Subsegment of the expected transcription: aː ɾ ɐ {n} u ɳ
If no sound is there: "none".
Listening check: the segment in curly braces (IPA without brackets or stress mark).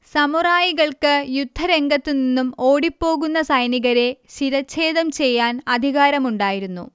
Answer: m